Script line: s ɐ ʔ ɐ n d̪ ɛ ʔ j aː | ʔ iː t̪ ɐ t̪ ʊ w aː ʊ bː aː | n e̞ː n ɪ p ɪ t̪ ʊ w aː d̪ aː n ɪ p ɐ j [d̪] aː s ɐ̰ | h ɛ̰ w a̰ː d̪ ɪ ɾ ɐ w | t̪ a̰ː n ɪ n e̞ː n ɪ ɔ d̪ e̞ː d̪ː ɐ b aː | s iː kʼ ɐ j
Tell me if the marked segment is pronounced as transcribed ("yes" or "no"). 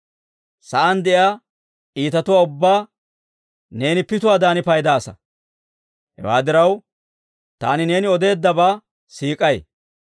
yes